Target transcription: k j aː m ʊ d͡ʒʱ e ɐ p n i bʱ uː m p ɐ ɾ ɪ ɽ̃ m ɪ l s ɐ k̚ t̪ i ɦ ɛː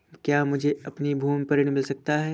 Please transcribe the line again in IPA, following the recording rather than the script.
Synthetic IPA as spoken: k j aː m ʊ d͡ʒʱ e ɐ p n i bʱ uː m p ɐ ɾ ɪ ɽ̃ m ɪ l s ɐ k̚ t̪ a ɦ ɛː